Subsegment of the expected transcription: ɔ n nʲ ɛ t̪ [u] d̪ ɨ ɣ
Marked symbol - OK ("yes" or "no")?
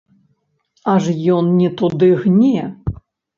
yes